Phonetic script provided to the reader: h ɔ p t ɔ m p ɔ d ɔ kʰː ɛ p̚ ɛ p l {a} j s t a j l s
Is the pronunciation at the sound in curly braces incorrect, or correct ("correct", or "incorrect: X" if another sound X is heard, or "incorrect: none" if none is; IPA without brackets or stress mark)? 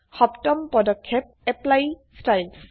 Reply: correct